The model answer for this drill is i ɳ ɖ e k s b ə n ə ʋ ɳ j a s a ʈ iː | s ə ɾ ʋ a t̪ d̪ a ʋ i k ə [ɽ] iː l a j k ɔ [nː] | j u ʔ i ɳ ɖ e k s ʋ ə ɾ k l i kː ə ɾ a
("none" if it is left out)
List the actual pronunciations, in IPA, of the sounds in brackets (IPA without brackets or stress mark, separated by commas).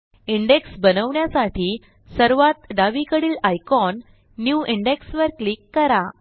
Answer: ɽ, nː